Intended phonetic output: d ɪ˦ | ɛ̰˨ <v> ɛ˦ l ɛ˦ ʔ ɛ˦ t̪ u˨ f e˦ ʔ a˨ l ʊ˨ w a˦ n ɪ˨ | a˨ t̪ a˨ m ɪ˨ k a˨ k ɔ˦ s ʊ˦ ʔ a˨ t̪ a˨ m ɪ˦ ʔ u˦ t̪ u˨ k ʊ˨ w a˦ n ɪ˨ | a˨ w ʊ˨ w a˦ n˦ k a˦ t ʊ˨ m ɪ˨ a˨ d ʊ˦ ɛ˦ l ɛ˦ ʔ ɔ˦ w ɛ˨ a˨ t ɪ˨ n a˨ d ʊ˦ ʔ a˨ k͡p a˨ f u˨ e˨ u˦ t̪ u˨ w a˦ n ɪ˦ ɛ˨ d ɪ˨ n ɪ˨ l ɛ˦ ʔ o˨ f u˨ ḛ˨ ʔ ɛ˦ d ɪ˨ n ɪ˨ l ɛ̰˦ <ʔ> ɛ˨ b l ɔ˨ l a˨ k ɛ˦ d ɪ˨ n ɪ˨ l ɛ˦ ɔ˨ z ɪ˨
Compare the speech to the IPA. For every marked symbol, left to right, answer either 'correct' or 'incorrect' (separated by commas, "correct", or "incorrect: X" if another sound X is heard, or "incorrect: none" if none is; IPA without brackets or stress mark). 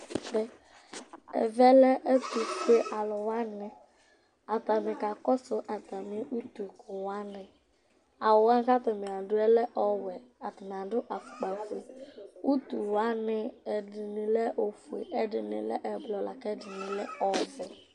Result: correct, correct